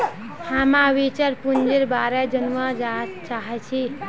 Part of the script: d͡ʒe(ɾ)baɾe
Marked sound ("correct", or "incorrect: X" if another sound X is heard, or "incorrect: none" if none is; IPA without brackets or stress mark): correct